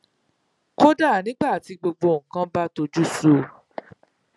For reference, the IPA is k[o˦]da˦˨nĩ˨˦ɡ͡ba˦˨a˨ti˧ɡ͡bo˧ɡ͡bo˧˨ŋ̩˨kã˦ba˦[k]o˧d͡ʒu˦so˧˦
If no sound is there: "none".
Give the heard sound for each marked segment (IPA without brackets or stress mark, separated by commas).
o˦, t